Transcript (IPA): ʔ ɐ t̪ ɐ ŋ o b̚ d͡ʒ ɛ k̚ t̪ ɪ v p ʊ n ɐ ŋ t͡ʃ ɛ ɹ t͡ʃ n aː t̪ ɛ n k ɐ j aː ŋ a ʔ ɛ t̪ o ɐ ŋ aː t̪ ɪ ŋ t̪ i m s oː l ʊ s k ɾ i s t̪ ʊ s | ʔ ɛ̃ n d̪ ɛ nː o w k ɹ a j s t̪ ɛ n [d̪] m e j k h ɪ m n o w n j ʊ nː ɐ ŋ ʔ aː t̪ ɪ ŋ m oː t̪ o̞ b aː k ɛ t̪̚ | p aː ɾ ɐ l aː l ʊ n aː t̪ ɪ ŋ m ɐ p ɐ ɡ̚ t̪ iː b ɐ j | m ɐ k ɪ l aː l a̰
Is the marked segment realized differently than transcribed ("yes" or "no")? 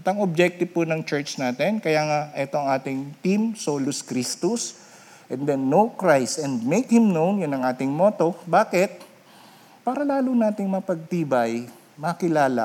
no